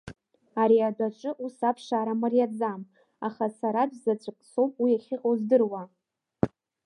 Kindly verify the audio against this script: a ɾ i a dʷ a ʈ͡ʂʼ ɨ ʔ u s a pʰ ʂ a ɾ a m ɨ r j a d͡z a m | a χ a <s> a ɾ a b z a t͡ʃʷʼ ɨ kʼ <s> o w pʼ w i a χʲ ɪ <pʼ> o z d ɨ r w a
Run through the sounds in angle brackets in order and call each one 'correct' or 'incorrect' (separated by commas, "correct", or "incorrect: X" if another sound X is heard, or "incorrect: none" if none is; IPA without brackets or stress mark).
correct, correct, incorrect: qʼ